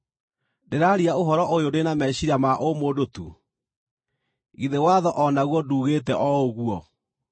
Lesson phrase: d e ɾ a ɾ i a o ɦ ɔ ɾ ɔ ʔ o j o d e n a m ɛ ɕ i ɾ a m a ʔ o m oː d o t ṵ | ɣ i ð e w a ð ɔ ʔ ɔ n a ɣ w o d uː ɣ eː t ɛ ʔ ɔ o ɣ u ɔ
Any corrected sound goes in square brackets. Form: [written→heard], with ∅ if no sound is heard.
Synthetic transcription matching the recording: d e ɾ a ɾ i a o ɦ ɔ ɾ ɔ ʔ o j o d e n a m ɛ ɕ i ɾ a m a ʔ o m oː d o t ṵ | ɣ i ð e w a ð ɔ ʔ ɔ n a ɣ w [o→ɔ] d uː ɣ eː t ɛ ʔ ɔ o ɣ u ɔ